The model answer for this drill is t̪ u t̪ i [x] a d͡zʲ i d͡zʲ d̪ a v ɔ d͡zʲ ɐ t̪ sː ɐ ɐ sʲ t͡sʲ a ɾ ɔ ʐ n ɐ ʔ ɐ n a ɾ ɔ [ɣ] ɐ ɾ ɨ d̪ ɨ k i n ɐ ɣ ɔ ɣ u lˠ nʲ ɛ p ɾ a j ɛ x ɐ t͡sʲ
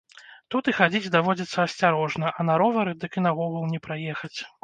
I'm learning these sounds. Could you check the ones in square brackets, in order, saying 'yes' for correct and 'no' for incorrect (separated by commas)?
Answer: yes, no